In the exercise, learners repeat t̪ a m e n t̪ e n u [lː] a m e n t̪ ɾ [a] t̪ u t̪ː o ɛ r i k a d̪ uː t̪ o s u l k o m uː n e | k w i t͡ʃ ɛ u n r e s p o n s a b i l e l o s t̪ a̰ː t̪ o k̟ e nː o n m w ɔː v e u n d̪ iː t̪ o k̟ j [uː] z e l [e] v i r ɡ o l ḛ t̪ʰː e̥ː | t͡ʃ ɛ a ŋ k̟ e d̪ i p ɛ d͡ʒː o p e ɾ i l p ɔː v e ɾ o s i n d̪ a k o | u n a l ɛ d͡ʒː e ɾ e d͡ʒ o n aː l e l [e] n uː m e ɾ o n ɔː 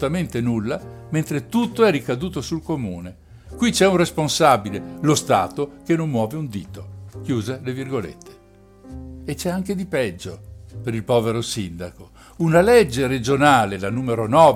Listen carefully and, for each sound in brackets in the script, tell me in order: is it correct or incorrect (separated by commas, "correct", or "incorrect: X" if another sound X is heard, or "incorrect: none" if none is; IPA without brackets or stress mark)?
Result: correct, incorrect: e, correct, correct, incorrect: a